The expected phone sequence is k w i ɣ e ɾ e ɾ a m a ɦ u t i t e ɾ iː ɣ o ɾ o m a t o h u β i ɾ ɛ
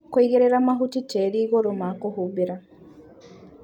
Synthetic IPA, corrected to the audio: k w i ɣ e ɾ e ɾ a m a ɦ u t i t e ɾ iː ɣ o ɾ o m a k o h u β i ɾ a